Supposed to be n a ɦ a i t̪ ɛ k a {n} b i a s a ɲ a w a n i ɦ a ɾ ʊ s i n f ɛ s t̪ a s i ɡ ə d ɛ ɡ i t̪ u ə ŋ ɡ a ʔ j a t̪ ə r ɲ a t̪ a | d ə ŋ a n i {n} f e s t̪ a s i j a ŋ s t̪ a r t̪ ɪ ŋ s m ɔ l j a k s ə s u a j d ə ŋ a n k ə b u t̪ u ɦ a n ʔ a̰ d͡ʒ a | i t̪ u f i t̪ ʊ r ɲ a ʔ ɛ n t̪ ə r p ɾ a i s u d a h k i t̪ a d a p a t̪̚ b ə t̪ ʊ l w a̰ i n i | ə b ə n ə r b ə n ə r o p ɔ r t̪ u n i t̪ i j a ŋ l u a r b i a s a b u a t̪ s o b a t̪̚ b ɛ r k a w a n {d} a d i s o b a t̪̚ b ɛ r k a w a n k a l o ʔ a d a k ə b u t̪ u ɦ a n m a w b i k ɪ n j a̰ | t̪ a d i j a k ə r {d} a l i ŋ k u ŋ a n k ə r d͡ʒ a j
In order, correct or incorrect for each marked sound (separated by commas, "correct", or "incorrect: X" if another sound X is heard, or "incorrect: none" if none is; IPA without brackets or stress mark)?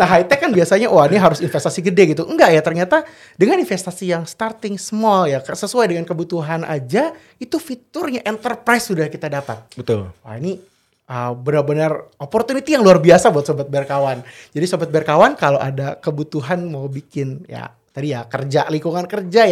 correct, correct, incorrect: d͡ʒ, incorrect: d͡ʒ